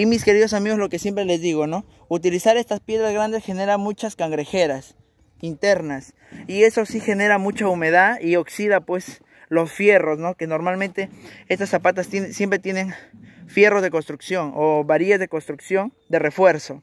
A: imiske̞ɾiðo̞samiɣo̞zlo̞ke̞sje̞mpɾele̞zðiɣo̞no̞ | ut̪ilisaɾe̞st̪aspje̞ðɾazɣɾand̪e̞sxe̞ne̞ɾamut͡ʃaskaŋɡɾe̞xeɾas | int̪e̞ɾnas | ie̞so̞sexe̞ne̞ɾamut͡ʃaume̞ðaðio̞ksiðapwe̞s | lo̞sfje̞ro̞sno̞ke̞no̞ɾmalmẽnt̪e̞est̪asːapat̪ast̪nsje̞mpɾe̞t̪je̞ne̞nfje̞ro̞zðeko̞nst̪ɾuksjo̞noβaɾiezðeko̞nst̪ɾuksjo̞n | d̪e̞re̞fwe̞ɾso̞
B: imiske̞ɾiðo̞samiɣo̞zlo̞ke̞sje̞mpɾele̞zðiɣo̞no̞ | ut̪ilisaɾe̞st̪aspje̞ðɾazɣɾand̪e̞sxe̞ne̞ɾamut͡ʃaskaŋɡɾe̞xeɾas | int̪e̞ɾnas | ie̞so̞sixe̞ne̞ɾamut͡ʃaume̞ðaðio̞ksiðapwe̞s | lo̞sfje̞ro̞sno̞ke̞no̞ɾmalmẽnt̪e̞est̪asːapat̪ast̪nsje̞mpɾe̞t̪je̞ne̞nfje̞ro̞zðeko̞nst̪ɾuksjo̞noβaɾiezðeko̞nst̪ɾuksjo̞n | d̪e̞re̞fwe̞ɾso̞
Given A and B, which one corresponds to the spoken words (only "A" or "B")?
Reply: B